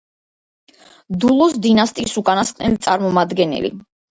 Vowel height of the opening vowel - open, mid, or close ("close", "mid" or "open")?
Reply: close